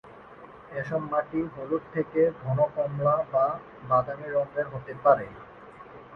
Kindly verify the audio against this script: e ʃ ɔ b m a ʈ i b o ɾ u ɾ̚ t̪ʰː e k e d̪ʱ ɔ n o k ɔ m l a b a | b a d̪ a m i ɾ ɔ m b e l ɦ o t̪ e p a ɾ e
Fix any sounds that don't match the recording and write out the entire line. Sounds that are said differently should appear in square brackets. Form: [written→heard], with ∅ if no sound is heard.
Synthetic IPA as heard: e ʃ ɔ b m a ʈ i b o [ɾ→l] u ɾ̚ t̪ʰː e k e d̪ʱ ɔ n o k ɔ m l a b a | b a d̪ a m i ɾ ɔ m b e [l→ɾ] ɦ o t̪ e p a ɾ e

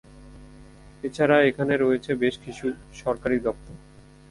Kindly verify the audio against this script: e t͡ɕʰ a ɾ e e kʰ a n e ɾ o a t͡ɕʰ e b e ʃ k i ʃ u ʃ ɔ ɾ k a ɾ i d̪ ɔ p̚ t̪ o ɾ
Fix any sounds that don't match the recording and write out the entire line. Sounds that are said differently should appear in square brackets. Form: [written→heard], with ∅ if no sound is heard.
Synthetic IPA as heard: e t͡ɕʰ a ɾ [e→a] e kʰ a n e ɾ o [a→e] t͡ɕʰ e b e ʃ k i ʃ u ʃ ɔ ɾ k a ɾ i d̪ ɔ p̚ t̪ o ɾ

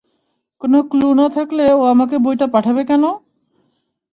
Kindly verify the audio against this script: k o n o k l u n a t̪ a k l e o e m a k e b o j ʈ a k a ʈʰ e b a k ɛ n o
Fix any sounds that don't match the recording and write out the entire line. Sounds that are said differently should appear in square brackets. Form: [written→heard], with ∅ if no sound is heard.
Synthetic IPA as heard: k o n o k l u n a [t̪→t̪ʰ] a k l e o [e→a] m a k e b o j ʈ a [k→p] a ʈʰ [e→a] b [a→e] k ɛ n o

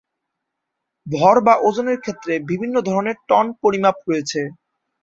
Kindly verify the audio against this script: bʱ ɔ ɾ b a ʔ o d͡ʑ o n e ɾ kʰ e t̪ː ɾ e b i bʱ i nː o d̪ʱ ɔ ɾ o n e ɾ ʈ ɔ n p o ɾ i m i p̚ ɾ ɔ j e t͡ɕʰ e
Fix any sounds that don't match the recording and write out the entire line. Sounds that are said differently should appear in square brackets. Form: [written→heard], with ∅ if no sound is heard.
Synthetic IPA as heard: bʱ ɔ ɾ b a ʔ o d͡ʑ o n e ɾ kʰ e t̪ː ɾ e b i bʱ i nː o d̪ʱ ɔ ɾ o n e ɾ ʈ ɔ n p o ɾ i m [i→a] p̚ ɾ [ɔ→o] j e t͡ɕʰ e

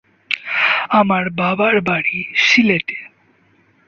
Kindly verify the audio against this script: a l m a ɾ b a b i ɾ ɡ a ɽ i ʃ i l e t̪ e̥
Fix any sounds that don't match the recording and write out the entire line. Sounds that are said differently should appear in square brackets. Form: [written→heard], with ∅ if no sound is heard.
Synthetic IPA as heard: a [l→∅] m a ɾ b a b [i→a] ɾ [ɡ→b] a ɽ i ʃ i l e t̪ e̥

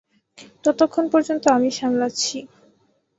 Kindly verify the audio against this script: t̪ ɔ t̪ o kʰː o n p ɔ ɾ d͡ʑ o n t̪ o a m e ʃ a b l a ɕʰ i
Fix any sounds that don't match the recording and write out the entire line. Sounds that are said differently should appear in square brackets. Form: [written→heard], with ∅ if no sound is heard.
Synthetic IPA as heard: t̪ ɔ t̪ o kʰː o n p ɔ ɾ d͡ʑ o n t̪ o a m [e→i] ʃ a [b→m] l a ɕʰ i

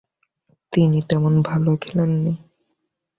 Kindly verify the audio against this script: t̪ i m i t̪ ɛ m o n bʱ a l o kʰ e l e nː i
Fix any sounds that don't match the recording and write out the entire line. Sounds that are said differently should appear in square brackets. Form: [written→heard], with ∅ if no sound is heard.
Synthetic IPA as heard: t̪ i [m→n] i t̪ ɛ m o n bʱ a l o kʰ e l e nː i

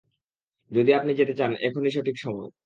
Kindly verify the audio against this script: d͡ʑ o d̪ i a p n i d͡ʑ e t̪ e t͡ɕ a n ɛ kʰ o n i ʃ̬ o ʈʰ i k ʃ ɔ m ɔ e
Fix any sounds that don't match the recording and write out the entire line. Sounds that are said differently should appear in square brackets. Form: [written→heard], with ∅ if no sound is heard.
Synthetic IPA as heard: d͡ʑ o d̪ i a p n i d͡ʑ e t̪ e t͡ɕ a n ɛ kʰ o n i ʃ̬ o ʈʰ i k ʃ ɔ m ɔ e

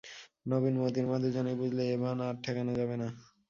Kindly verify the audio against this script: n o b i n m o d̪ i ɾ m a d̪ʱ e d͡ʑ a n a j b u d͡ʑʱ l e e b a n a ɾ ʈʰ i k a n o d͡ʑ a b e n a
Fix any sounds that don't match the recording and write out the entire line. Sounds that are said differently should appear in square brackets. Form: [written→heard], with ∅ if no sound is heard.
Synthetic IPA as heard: n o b i n m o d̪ i ɾ m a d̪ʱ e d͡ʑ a n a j b u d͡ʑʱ l e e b a n a ɾ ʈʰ [i→ɛ] k a n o d͡ʑ a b e n a

